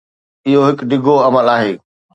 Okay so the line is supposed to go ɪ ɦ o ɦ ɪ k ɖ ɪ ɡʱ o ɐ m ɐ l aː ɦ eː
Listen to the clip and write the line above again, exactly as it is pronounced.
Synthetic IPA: ɪ ɦ o ɦ ɪ k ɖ ɪ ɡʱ o ɐ m ə l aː ɦ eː